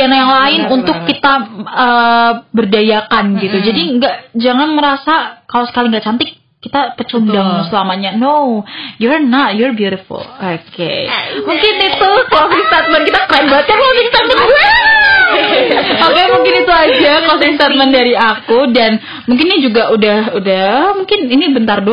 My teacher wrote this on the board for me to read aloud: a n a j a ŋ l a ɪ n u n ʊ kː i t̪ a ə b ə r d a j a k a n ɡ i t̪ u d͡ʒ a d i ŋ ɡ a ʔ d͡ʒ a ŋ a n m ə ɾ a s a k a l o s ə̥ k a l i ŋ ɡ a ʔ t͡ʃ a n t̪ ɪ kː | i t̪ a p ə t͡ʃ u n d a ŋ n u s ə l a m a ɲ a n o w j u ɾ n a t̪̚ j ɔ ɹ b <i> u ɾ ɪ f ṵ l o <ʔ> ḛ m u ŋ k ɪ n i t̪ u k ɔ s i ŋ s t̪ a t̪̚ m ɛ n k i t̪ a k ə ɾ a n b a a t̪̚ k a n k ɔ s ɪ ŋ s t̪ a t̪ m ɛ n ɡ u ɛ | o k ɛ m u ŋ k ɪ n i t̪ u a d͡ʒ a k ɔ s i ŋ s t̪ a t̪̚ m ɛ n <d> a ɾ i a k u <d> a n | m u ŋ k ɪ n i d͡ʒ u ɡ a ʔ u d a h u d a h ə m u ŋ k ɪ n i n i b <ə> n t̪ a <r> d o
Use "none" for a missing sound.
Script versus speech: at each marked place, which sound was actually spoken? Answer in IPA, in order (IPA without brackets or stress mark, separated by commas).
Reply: j, k, d, d, ə, r